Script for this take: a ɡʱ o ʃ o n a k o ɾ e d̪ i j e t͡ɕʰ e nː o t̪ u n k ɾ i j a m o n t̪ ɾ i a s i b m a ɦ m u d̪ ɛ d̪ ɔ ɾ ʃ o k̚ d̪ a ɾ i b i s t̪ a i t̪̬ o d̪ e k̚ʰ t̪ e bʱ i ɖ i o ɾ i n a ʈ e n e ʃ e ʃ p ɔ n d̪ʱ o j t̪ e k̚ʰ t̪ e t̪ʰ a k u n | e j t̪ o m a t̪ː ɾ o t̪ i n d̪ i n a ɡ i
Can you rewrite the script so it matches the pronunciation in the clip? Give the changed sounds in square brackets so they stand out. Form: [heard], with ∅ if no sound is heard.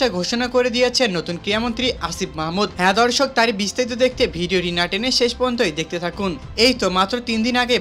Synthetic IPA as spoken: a ɡʱ o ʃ o n a k o ɾ e d̪ i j e t͡ɕʰ e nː o t̪ u n k ɾ i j a m o n t̪ ɾ i a s i b m a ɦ m u d̪ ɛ d̪ ɔ ɾ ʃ o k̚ [t̪] a ɾ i b i s t̪ a i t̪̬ o d̪ e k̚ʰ t̪ e bʱ i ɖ i o ɾ i n a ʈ e n e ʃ e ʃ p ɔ n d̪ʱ o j [d̪] e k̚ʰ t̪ e t̪ʰ a k u n | e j t̪ o m a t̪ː ɾ o t̪ i n d̪ i n a ɡ [e]